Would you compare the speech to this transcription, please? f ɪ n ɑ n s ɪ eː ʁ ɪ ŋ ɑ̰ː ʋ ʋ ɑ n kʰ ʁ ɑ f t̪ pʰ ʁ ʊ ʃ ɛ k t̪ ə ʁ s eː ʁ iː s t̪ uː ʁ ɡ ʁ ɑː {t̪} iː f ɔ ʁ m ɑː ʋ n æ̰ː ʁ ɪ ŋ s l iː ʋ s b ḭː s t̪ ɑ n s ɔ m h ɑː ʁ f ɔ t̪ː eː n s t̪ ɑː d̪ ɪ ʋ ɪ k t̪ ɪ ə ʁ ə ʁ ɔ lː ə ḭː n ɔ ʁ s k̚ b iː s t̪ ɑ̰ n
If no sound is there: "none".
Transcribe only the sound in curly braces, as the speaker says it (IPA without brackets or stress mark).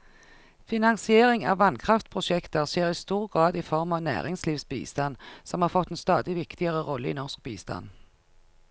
d̪